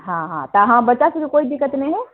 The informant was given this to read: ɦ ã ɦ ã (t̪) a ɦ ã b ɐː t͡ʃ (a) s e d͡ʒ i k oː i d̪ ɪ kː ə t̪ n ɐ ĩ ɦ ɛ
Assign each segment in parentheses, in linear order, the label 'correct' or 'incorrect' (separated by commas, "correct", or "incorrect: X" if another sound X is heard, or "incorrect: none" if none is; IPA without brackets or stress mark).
correct, correct